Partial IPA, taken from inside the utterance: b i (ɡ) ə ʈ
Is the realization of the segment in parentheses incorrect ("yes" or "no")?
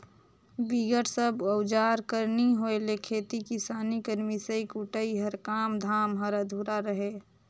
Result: no